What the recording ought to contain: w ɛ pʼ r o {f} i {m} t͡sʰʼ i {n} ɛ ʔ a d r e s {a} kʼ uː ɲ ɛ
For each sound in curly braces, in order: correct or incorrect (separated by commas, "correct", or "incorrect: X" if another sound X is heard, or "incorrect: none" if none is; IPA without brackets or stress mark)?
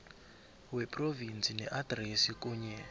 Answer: incorrect: v, incorrect: n, correct, incorrect: i